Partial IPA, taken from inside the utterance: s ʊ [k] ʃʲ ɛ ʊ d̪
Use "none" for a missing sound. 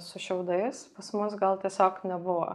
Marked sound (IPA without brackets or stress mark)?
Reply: none